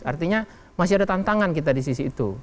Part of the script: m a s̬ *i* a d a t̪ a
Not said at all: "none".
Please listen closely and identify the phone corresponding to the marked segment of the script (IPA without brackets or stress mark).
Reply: i